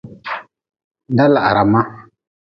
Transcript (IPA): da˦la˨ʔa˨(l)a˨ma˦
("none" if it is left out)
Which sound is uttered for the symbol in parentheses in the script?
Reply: ɾ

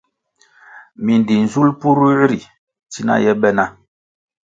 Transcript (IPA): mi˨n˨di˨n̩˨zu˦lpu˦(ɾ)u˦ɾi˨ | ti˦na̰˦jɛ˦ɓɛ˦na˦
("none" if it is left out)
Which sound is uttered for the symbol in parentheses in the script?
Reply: ɾ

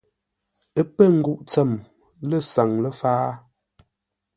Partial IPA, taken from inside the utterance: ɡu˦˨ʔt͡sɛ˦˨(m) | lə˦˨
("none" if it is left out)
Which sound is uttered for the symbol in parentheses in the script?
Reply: m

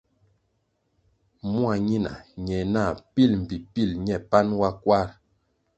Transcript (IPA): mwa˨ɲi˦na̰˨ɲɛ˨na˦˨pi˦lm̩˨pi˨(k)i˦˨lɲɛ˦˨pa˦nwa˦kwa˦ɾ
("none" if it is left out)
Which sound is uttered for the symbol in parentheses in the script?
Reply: p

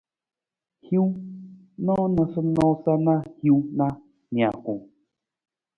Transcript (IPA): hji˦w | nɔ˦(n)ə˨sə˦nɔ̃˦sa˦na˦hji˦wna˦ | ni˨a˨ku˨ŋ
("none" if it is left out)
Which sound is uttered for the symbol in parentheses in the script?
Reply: n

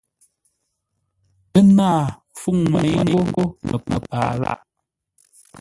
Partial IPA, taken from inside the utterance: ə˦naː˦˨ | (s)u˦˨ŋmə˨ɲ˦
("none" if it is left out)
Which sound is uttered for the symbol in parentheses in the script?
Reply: f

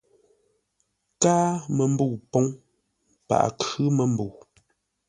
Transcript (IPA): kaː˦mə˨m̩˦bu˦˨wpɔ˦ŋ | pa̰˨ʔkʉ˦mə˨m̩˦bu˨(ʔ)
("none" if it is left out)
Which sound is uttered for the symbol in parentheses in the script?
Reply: none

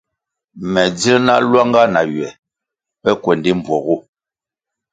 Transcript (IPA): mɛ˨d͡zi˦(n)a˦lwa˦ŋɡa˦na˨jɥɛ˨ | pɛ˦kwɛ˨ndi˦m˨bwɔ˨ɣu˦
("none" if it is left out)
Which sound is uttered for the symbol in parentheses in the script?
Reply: n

